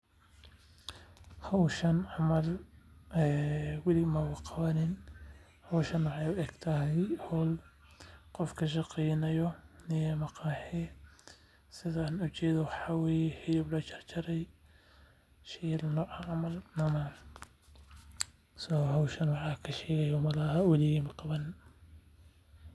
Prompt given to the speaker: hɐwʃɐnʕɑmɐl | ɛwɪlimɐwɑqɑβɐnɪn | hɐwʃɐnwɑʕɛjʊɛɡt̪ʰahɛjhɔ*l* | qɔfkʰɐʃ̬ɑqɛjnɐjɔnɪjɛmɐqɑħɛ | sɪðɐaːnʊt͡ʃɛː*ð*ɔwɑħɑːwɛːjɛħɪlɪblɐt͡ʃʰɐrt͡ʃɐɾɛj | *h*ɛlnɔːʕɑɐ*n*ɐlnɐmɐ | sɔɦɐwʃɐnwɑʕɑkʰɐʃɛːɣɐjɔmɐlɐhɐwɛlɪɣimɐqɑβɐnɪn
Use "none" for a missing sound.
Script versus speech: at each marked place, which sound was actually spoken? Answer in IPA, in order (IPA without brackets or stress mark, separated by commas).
l, ð, ʃ, m